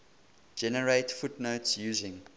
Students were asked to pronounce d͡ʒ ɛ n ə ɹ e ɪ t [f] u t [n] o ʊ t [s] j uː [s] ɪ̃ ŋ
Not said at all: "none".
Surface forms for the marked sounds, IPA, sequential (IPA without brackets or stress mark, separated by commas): f, n, s, z